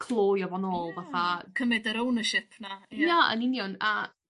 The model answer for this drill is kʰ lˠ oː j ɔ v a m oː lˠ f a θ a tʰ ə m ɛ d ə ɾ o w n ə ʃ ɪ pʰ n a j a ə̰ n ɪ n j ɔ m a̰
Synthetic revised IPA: kʰ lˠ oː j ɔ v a n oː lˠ v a θ a kʰ ə m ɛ d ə ɾ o w n ə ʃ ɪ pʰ n a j a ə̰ n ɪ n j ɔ n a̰